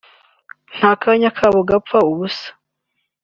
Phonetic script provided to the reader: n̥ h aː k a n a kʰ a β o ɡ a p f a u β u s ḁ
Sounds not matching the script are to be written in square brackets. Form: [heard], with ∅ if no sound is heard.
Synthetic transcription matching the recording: n̥ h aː k a [ɲ] a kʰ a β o ɡ a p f a u β u s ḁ